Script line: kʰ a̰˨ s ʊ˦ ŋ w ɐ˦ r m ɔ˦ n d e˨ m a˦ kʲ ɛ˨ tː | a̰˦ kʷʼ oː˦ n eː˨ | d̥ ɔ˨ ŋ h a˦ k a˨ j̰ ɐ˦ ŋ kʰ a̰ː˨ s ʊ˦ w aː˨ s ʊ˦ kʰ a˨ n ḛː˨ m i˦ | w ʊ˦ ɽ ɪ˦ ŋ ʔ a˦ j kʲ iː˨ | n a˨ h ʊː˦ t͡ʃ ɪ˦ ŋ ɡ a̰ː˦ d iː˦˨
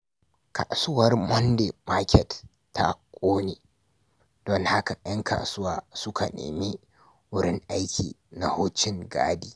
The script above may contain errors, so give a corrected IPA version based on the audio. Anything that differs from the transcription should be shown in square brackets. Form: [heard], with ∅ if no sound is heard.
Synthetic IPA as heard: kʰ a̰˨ s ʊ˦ [∅] w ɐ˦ r m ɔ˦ n d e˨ m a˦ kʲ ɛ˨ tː | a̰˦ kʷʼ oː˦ n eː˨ | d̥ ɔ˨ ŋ h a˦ k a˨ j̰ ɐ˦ ŋ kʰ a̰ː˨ s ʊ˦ w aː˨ s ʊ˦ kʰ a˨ n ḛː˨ m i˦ | w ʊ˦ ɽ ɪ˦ ŋ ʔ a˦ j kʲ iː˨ | n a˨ h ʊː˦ t͡ʃ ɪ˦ ŋ ɡ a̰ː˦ d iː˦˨

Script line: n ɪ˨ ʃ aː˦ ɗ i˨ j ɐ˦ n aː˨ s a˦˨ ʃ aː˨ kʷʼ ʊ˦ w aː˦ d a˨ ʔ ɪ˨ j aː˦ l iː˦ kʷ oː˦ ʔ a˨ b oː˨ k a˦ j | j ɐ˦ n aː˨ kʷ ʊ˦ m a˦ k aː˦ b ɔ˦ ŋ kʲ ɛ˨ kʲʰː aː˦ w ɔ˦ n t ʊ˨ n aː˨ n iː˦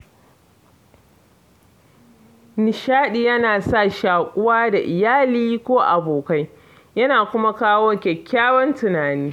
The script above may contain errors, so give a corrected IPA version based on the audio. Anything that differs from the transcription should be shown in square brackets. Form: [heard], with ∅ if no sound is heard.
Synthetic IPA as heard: n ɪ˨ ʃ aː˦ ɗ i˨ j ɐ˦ n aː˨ s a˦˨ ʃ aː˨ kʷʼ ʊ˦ w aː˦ d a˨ ʔ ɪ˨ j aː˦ l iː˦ kʷ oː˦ ʔ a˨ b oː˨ k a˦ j | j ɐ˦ n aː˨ kʷ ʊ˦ m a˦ k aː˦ [w] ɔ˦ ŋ kʲ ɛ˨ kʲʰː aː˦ w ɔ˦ n t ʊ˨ n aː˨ n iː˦

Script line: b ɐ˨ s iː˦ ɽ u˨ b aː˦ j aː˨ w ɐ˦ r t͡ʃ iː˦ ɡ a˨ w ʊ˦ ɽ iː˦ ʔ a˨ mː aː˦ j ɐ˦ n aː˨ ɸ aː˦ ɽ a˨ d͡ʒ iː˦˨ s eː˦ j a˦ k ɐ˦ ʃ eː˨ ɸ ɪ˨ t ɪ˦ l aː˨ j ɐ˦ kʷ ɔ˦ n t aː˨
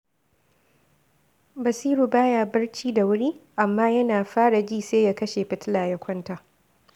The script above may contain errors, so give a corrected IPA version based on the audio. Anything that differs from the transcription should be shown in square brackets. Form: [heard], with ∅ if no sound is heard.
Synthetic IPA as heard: b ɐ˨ s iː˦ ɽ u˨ b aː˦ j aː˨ [b] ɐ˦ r t͡ʃ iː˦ [d] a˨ w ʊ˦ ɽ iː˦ ʔ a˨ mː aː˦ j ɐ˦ n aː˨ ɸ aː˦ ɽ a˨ d͡ʒ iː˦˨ s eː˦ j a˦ k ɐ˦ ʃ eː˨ ɸ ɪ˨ t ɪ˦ l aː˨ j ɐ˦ kʷ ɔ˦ n t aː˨

